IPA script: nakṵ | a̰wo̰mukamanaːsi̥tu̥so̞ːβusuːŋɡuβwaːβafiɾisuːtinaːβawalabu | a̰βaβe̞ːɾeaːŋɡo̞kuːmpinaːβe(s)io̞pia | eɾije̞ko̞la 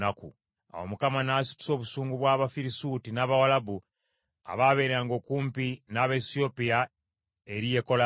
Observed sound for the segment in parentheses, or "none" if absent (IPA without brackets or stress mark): s